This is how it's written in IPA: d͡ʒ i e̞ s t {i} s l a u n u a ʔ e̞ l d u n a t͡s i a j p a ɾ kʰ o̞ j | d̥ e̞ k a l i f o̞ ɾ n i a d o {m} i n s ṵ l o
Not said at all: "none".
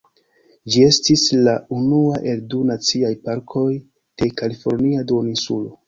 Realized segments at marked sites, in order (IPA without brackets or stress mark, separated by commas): i, n